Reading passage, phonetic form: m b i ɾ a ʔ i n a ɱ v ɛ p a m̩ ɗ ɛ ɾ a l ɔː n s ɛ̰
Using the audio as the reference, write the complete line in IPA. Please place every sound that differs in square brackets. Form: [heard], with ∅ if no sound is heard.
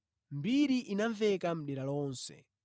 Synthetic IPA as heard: m b i ɾ [i] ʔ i n a ɱ v ɛ [k] a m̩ ɗ ɛ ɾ a l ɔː n s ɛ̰